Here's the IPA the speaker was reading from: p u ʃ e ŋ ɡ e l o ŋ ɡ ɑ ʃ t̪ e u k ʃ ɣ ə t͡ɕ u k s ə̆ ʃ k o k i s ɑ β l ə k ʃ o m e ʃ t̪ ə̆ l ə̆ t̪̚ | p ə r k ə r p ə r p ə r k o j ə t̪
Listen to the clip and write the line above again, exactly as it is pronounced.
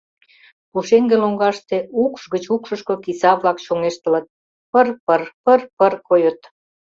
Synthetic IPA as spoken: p u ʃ e ŋ ɡ e l o ŋ ɡ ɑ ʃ t̪ e u k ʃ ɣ ə t͡ɕ u k ʃ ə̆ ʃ k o k i s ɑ β l ɑ k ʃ o ŋ e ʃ t̪ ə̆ l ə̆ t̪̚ | p ə r p ə r p ə r p ə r k o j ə t̪